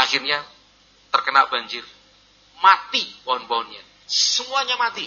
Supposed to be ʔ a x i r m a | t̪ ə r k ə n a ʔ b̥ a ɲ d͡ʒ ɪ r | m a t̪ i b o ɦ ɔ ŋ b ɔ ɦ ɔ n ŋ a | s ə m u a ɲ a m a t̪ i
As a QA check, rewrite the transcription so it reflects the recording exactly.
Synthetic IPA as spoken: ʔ a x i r ɲ a | t̪ ə r k ə n a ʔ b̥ a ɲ d͡ʒ ɪ r | m a t̪ i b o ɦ ɔ n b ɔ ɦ ɔ n ɲ a | s ə m u a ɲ a m a t̪ i